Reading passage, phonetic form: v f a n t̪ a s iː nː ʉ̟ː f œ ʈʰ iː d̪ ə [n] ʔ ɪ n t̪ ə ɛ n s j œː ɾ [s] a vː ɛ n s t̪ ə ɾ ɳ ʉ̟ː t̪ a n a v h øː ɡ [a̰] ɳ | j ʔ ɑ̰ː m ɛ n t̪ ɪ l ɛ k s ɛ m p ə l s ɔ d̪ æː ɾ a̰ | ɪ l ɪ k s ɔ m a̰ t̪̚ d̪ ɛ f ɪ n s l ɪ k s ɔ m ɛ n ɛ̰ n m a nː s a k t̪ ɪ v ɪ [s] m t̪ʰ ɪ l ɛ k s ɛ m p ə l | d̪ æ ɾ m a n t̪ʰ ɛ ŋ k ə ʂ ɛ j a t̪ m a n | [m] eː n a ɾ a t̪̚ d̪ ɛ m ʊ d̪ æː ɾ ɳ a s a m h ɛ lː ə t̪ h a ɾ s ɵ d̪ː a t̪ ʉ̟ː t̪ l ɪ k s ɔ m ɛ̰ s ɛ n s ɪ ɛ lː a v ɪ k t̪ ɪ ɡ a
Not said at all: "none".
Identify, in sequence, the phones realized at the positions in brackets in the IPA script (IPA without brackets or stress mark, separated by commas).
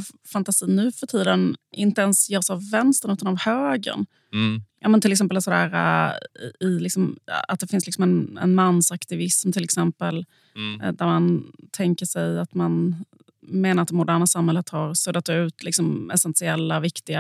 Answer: n, s, ə̰, s, m